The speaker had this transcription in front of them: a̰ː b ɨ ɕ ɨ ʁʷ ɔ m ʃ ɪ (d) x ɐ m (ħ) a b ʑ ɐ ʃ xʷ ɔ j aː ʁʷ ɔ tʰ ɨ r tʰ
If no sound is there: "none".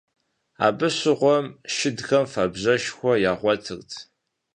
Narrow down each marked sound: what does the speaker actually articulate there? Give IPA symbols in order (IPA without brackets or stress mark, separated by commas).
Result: d, f